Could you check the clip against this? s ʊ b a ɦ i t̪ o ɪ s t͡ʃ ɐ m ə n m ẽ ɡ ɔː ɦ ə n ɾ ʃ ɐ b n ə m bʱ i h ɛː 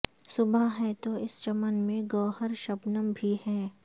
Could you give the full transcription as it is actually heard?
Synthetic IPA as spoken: s ʊ b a ɦ ɛ t̪ o ɪ s t͡ʃ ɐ m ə n m ẽ ɡ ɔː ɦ ə ɾ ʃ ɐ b n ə m bʱ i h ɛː